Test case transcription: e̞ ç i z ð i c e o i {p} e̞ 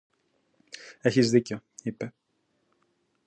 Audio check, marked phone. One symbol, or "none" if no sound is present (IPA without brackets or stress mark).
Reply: p